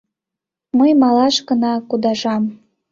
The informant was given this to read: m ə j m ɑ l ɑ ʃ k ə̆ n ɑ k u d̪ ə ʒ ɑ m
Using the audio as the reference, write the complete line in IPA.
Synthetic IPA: m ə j m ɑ l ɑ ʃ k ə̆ n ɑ k u d̪ ɑ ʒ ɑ m

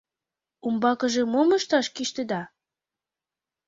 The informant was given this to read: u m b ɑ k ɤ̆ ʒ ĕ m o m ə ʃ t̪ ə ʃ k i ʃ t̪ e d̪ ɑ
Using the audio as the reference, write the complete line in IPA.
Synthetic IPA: u m b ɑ k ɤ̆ ʒ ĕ m o m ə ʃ t̪ ɑ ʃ k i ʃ t̪ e d̪ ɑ

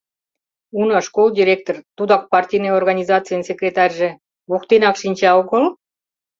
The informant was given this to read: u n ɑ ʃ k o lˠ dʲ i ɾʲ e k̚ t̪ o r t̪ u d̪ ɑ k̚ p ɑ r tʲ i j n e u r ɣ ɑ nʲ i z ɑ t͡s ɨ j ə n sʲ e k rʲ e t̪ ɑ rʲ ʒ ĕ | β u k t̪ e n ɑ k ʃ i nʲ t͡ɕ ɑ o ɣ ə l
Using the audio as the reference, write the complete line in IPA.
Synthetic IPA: u n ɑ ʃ k o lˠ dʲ i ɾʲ e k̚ t̪ o r t̪ u d̪ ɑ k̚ p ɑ r tʲ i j n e o r ɣ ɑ nʲ i z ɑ t͡s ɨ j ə n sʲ e k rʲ e t̪ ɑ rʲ ʒ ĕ | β u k t̪ e n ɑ k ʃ i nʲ t͡ɕ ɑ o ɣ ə l

